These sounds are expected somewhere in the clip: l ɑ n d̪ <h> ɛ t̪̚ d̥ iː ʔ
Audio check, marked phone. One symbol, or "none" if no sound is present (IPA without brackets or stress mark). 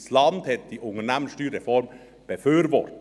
h